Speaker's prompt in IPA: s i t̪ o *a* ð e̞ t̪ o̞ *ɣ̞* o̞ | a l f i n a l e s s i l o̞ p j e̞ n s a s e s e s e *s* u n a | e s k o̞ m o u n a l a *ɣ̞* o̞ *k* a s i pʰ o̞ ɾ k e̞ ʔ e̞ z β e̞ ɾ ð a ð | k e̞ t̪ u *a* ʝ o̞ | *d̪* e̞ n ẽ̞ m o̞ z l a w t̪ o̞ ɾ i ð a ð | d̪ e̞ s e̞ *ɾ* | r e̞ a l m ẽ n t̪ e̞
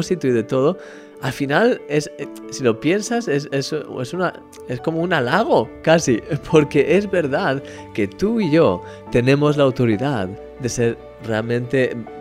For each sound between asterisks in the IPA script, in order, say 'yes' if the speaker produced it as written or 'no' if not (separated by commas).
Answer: no, no, yes, yes, yes, no, no, yes